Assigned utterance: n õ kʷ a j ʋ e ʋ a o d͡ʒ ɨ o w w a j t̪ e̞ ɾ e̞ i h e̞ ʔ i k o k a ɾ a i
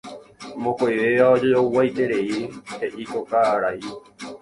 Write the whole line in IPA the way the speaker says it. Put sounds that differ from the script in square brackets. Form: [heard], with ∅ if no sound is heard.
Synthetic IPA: [m] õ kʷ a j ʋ e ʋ a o d͡ʒ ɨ o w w a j t̪ e̞ ɾ e̞ i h e̞ ʔ i k o k a ɾ a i